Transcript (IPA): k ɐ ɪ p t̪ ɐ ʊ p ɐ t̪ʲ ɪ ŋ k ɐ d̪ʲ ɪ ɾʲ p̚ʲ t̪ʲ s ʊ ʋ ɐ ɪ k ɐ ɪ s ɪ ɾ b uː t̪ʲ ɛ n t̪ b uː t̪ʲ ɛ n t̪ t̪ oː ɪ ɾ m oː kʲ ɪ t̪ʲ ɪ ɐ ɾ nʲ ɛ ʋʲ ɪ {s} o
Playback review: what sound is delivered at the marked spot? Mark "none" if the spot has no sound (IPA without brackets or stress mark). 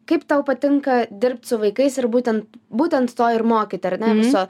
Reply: s